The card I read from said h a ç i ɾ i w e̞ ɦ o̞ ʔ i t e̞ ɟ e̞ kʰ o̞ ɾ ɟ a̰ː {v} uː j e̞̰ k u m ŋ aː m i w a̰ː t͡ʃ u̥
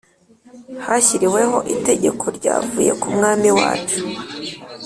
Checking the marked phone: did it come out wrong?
no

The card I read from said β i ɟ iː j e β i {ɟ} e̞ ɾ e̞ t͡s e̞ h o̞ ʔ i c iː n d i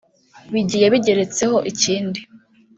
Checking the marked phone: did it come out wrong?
no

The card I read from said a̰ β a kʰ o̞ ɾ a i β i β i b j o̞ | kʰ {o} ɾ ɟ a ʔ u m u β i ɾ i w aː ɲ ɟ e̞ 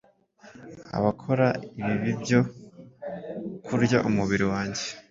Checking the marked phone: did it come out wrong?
yes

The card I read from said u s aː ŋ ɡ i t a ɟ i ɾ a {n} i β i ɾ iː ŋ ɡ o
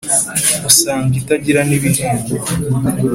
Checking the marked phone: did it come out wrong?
no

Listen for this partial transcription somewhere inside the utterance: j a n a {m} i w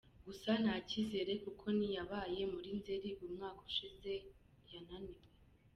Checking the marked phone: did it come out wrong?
yes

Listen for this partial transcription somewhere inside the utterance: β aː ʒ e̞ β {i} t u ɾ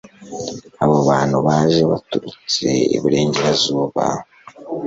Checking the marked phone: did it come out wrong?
yes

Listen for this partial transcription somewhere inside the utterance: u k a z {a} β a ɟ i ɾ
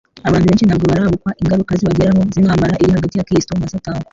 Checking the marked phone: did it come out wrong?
yes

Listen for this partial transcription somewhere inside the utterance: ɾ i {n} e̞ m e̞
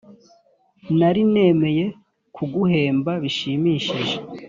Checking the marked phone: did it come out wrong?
no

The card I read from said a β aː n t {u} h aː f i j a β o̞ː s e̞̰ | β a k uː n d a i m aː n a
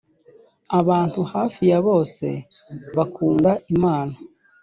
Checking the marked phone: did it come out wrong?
no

